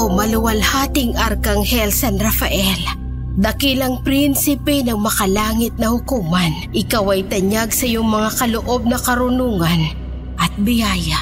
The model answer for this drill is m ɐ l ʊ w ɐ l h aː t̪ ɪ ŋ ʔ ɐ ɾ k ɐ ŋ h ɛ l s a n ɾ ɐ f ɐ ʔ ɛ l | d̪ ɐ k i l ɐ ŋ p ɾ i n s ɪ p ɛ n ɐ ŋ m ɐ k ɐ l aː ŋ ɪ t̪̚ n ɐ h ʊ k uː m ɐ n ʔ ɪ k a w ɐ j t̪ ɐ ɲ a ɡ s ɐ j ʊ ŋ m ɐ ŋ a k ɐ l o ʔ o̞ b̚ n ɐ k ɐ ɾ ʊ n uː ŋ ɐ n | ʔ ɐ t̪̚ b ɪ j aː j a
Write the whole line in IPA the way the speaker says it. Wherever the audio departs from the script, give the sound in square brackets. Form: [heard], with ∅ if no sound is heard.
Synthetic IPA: m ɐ l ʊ w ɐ l h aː t̪ ɪ ŋ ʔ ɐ ɾ k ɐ ŋ h ɛ l s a n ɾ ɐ f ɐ ʔ ɛ l | d̪ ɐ k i l ɐ ŋ p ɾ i n s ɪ p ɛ n ɐ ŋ m ɐ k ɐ l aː ŋ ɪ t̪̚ n ɐ h ʊ k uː m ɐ n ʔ ɪ k a w ɐ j t̪ ɐ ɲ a ɡ s ɐ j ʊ ŋ m ɐ ŋ a k ɐ l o ʔ o̞ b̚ n ɐ k ɐ ɾ ʊ n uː ŋ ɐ n | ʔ ɐ t̪̚ b ɪ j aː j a